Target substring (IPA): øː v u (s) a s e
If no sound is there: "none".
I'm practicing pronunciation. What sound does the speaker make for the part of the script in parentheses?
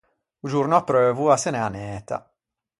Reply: none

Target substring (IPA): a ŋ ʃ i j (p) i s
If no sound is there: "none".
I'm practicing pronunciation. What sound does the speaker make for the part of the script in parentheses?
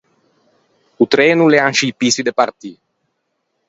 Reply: p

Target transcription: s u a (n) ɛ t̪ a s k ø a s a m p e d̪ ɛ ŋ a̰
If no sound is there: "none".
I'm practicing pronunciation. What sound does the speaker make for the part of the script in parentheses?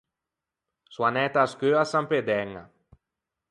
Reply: n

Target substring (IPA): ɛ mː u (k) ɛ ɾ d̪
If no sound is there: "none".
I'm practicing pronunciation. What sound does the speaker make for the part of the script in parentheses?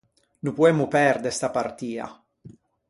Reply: p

